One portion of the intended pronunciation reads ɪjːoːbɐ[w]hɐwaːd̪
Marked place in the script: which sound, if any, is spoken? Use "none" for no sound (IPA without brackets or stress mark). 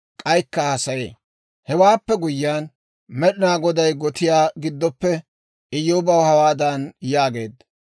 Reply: w